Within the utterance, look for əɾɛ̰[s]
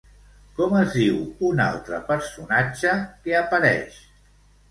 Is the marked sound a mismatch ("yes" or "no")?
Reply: yes